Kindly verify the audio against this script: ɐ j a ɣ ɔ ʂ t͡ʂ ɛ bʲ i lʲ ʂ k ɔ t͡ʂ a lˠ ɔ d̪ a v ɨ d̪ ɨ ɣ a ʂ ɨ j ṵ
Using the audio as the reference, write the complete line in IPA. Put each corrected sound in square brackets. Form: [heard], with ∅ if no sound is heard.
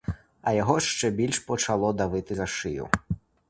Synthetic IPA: ɐ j a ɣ ɔ ʂ t͡ʂ ɛ bʲ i lʲ ʂ [p] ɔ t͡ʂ a lˠ ɔ d̪ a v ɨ [t̪] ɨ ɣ a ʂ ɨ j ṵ